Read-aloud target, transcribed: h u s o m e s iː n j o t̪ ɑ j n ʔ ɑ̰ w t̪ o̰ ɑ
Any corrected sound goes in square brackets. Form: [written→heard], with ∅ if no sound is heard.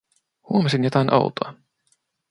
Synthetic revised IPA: h u [s→∅] o m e s [iː→i] n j o t̪ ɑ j n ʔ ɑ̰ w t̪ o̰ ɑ